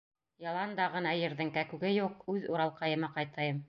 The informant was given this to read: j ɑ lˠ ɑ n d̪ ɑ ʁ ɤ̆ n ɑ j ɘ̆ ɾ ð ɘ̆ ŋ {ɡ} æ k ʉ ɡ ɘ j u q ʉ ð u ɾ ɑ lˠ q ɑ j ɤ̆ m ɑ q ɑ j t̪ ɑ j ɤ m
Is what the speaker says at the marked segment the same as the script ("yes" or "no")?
no